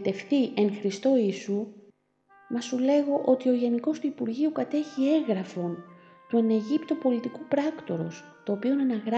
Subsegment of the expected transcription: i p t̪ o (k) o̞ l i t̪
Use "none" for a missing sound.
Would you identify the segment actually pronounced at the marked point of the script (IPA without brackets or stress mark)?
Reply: p